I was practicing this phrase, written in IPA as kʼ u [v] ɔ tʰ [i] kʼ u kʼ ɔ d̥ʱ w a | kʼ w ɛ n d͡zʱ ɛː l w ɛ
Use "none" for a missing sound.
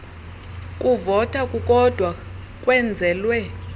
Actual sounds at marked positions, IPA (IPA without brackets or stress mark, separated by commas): v, a